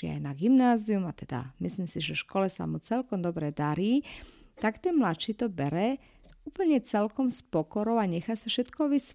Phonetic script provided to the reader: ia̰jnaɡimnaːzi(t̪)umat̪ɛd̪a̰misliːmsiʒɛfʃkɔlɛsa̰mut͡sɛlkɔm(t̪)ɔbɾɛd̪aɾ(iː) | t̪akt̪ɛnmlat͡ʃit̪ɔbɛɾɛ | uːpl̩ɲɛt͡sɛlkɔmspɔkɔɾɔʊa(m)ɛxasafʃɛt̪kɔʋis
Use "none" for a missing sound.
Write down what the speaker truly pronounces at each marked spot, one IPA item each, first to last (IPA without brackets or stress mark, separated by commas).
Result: none, d̪, iː, ɲ